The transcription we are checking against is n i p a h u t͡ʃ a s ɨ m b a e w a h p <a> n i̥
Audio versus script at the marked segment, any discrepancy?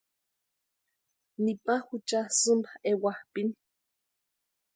yes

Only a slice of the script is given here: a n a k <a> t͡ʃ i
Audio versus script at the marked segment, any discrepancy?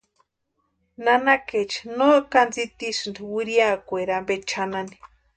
yes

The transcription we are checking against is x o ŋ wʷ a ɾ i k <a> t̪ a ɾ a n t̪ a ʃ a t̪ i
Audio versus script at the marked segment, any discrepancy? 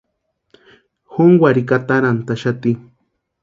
no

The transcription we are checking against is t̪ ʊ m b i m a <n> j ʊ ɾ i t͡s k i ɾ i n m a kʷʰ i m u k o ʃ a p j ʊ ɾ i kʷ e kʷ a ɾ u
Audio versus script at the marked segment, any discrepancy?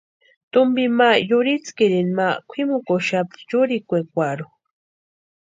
yes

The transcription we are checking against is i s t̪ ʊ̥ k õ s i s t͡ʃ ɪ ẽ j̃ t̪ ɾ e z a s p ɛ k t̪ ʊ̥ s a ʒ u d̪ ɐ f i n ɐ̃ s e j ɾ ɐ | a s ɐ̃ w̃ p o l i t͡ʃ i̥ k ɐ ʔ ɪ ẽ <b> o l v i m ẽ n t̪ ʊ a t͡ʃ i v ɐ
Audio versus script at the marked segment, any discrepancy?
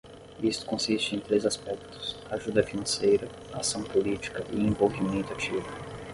yes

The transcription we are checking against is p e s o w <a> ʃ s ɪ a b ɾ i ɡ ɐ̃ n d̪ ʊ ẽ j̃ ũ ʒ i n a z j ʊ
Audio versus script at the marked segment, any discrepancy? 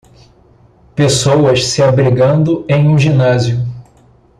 yes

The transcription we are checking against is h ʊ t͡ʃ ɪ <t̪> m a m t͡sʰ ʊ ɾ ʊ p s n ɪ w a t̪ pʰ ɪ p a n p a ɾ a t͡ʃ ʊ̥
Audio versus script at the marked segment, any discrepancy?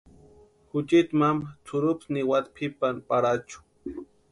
no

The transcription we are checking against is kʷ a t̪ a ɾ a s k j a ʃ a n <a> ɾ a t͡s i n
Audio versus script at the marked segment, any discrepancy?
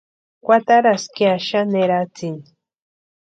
yes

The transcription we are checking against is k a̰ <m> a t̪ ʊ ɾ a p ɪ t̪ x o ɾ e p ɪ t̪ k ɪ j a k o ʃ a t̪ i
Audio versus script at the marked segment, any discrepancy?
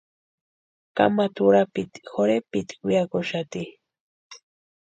no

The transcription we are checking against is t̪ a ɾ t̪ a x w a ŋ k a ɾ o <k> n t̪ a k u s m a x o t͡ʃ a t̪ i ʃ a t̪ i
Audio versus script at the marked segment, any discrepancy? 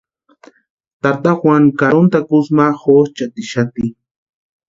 yes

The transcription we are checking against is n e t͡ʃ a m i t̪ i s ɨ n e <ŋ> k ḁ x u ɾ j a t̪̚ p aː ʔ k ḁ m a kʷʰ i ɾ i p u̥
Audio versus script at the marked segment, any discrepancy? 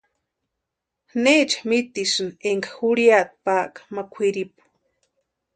no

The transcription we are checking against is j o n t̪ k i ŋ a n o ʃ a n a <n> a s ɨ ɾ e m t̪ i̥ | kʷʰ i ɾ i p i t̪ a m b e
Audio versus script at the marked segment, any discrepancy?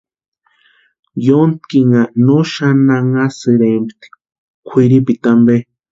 yes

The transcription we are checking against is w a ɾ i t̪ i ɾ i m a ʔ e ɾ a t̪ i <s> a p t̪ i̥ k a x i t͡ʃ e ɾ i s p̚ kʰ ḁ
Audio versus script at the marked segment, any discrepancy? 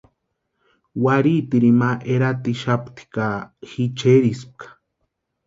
yes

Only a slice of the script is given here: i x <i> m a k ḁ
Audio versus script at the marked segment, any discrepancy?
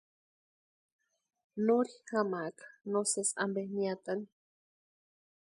yes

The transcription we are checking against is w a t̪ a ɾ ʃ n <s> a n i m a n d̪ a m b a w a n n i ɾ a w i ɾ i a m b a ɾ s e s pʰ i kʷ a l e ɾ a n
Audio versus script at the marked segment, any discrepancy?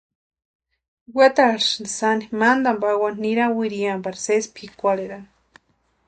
no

